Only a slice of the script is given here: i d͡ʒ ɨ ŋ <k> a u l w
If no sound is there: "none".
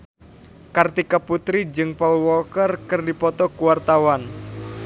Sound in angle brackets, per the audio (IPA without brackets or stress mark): p